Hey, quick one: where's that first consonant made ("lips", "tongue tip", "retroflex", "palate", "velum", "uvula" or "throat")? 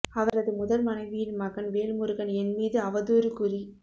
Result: lips